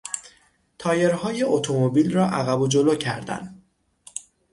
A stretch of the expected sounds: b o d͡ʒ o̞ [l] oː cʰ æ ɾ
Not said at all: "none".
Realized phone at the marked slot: l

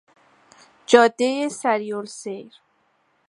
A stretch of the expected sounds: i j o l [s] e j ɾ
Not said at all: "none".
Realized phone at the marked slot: s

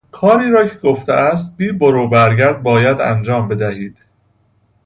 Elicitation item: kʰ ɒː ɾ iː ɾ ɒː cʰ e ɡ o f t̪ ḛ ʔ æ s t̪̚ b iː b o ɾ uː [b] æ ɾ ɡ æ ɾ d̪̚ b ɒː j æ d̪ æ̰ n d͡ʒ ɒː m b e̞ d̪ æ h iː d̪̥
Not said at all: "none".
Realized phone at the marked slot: b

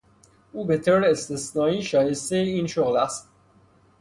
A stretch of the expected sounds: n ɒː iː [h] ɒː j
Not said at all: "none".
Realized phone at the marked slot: ʃ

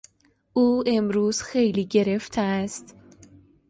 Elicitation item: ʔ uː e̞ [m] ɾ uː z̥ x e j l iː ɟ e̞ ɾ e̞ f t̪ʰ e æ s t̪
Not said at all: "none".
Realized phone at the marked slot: m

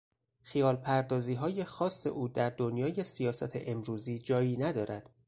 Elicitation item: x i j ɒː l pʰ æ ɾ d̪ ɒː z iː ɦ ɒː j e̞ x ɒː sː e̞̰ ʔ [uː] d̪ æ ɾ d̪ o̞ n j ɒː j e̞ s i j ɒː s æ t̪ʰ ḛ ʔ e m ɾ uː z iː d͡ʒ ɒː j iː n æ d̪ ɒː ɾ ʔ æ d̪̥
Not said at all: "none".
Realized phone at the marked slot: uː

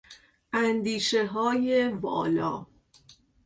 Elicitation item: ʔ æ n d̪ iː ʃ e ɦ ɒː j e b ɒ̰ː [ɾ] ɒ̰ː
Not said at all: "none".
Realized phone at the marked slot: l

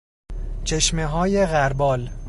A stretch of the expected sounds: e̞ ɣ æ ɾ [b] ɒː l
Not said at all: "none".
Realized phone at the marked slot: b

